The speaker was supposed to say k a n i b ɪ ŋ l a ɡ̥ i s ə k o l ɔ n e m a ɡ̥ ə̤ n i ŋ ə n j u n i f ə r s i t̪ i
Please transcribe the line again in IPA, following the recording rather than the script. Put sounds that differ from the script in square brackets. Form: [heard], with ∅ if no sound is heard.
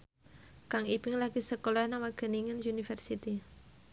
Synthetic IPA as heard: k a [ŋ] i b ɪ ŋ l a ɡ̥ i s ə k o l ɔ n [a] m a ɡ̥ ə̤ n i ŋ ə n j u n i f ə r s i t̪ i